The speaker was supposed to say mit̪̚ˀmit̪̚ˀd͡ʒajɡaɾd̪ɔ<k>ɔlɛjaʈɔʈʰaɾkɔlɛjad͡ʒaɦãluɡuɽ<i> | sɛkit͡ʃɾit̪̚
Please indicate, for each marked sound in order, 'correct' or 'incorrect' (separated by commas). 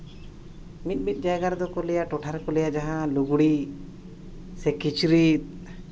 correct, correct